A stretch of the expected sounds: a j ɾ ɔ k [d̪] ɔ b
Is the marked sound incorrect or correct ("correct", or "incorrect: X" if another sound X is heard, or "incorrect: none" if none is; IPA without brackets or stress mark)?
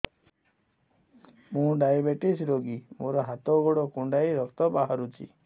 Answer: incorrect: t̪